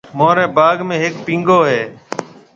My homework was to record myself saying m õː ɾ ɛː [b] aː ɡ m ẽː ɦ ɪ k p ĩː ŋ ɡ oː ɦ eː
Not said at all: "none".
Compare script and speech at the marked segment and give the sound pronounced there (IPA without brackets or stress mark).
b